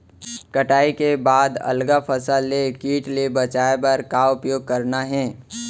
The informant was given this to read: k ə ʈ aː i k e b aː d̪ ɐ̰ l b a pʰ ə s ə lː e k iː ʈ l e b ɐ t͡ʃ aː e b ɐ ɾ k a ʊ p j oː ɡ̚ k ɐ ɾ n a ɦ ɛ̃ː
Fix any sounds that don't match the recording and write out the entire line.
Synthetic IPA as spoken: k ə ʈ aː i k e b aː d̪ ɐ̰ l ɡ a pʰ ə s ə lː e k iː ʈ l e b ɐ t͡ʃ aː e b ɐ ɾ k a ʊ p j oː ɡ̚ k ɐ ɾ n a ɦ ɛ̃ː